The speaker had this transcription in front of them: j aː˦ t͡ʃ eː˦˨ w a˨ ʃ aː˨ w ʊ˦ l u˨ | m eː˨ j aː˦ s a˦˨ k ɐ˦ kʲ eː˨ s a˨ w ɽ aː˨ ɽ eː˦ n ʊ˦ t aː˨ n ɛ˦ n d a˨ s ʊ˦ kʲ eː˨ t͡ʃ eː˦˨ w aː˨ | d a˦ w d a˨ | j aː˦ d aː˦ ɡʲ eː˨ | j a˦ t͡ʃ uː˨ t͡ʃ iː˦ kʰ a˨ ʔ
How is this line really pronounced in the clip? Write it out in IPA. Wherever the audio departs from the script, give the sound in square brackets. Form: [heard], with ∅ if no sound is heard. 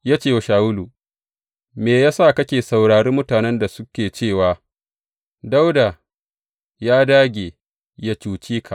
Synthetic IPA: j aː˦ t͡ʃ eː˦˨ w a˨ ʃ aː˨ w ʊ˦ l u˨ | m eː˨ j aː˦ s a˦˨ k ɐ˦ kʲ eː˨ s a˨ w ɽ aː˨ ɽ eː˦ [m] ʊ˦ t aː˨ n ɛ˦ n d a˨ s ʊ˦ kʲ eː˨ t͡ʃ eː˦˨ w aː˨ | d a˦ w d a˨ | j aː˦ d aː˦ ɡʲ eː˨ | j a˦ t͡ʃ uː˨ t͡ʃ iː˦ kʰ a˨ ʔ